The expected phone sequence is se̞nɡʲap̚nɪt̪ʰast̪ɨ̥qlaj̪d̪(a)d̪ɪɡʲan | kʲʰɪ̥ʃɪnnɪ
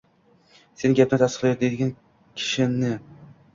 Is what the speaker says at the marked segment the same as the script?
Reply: no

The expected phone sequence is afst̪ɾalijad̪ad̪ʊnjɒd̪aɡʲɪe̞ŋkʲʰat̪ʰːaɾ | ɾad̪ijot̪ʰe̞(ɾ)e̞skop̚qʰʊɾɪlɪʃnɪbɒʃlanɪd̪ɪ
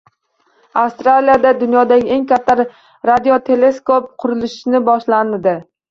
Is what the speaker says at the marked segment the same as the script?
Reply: no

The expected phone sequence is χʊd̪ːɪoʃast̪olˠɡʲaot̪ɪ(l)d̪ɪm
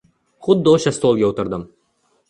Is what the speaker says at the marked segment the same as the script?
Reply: no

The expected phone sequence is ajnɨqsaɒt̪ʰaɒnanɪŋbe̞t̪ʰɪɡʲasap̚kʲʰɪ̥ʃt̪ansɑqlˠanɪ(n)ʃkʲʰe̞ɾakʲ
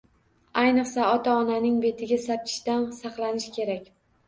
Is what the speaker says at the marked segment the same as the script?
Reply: no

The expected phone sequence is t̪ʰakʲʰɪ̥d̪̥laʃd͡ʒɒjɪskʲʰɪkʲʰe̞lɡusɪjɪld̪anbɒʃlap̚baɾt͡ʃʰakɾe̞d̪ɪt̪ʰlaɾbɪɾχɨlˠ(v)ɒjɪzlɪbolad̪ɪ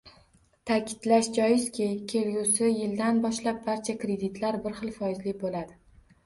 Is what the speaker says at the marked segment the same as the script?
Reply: no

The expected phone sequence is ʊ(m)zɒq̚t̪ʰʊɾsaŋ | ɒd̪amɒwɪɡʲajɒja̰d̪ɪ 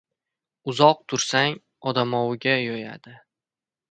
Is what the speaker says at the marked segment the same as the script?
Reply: no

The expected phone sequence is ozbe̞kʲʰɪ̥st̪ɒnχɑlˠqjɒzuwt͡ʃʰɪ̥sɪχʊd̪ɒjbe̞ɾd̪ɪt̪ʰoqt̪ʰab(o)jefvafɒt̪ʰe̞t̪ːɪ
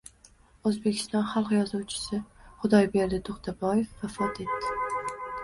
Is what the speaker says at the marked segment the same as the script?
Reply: no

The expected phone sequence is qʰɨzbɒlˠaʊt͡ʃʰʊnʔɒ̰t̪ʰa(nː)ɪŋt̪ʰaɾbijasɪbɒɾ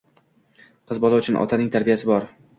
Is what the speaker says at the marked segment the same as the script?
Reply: no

